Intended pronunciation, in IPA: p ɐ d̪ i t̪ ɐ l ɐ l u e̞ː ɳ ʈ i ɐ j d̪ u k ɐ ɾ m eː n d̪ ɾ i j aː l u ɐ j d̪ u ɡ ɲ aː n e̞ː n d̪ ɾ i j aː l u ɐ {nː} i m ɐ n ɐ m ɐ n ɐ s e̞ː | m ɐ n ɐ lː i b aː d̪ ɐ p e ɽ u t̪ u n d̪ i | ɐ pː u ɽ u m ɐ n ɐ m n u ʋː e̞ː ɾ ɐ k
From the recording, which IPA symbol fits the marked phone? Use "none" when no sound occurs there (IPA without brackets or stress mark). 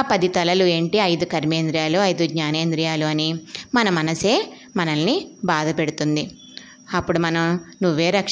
n